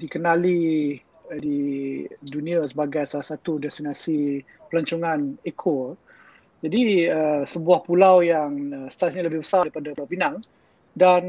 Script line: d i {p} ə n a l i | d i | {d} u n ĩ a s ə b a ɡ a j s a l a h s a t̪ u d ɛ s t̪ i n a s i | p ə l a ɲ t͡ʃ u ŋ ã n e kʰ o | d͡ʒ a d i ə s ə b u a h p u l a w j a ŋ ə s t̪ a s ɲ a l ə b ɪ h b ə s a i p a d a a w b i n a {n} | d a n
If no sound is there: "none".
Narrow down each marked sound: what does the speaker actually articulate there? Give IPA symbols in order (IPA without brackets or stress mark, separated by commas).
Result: k, d, ŋ